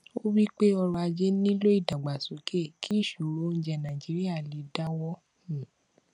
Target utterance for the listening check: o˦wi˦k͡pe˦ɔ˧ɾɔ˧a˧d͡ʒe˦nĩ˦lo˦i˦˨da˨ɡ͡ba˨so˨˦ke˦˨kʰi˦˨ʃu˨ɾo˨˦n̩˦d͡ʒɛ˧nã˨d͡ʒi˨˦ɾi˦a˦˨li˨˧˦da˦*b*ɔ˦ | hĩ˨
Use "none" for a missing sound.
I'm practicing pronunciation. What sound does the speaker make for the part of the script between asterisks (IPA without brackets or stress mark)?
w